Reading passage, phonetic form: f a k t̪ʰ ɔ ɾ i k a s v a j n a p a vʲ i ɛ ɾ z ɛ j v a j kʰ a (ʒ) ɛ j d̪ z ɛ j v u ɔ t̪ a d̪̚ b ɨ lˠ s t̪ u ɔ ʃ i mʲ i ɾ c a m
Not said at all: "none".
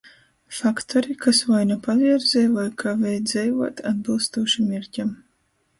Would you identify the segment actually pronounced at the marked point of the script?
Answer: v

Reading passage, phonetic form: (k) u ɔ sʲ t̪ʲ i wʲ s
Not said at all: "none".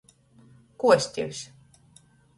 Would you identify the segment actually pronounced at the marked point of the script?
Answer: k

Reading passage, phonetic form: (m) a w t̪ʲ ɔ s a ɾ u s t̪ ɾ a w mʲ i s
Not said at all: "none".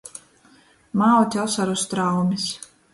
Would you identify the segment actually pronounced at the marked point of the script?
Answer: m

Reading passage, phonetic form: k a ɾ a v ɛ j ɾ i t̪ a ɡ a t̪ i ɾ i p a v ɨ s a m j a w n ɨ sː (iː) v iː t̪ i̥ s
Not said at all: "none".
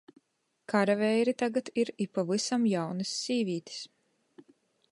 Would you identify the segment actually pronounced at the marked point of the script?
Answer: iː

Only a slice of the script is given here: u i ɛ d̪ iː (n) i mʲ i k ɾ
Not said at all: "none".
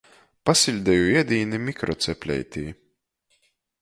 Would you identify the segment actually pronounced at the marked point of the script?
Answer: n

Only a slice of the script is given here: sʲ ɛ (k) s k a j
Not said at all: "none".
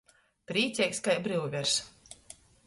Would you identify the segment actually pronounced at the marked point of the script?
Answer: k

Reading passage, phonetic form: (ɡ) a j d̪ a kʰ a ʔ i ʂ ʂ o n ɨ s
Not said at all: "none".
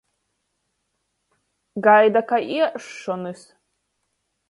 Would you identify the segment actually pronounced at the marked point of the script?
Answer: ɡ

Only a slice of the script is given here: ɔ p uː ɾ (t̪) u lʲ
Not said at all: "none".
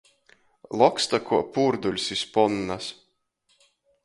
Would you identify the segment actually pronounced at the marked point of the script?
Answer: d̪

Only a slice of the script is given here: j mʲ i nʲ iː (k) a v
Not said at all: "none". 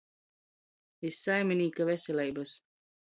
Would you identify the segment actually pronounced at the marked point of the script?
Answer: k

